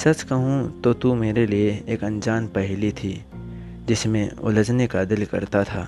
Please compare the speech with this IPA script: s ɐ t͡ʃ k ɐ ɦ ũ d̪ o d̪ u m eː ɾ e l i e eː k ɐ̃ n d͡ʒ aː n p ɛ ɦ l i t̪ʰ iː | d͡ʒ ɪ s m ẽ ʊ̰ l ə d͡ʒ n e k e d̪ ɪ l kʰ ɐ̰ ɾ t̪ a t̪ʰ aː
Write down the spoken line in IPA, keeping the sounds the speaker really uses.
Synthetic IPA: s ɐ t͡ʃ k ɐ ɦ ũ t̪ o t̪ u m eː ɾ e l i e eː k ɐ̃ n d͡ʒ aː n p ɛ ɦ l i t̪ʰ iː | d͡ʒ ɪ s m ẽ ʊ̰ l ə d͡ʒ n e k a d̪ ɪ l k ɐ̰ ɾ t̪ a t̪ʰ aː